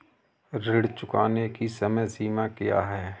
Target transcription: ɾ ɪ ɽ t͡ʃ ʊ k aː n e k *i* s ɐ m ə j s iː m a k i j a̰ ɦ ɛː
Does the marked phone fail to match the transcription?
no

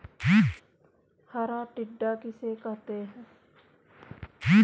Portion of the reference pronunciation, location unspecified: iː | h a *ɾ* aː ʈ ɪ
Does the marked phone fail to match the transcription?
no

